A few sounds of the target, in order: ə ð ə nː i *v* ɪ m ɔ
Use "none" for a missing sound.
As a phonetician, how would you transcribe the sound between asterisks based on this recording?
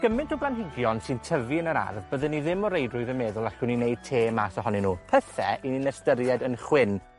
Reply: ð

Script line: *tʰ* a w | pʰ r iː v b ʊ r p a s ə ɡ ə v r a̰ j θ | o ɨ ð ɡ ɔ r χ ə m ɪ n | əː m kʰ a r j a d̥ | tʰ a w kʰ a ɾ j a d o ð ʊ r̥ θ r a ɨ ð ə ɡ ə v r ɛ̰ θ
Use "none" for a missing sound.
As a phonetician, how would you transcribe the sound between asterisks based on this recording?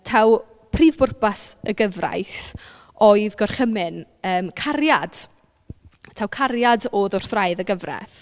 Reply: tʰ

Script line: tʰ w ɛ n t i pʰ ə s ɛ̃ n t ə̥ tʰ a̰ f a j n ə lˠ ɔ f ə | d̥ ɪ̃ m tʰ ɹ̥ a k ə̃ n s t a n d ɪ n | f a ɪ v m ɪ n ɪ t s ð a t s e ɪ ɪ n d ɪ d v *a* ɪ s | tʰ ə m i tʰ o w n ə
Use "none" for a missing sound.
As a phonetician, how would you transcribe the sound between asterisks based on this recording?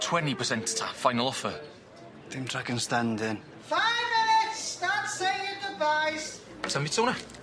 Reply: a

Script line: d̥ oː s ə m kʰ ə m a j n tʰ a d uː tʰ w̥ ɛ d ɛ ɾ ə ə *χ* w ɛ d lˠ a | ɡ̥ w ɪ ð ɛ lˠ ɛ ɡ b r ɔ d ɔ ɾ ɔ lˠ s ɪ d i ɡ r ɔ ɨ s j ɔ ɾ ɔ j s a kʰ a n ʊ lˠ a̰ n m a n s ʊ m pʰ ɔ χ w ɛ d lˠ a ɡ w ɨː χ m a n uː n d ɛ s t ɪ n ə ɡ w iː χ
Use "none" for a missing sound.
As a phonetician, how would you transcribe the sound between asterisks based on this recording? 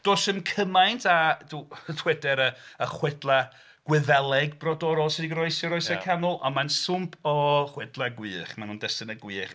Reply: χ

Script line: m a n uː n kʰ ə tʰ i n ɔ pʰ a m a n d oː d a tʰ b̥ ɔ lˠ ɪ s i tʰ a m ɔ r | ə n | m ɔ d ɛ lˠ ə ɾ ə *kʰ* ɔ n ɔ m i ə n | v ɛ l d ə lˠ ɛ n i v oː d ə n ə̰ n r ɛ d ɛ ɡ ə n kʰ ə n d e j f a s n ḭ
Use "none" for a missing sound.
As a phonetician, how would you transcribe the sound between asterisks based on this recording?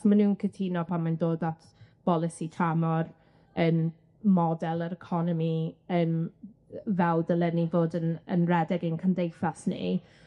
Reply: kʰ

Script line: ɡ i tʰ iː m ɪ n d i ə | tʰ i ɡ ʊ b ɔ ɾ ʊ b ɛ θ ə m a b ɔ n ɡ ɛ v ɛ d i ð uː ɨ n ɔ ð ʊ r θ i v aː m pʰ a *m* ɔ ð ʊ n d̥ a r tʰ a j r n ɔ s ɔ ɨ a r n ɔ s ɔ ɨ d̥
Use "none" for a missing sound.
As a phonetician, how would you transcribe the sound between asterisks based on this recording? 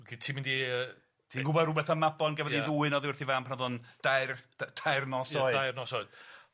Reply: n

